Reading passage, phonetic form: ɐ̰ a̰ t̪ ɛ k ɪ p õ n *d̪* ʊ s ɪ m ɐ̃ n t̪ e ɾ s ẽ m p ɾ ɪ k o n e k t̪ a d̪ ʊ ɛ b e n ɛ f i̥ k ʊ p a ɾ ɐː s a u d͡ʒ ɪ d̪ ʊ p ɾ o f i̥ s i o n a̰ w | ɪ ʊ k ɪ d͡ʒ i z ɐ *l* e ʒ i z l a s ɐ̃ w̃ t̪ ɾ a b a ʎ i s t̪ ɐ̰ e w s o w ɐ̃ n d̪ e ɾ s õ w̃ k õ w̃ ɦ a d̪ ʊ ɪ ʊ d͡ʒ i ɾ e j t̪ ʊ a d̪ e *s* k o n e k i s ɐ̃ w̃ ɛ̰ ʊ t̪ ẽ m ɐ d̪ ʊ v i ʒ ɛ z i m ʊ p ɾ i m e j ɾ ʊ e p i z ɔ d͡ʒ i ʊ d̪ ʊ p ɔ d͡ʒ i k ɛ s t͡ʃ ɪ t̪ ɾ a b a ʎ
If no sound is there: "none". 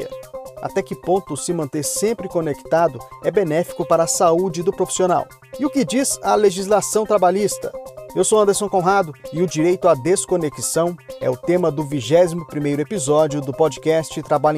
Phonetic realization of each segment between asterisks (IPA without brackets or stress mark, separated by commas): t̪, l, s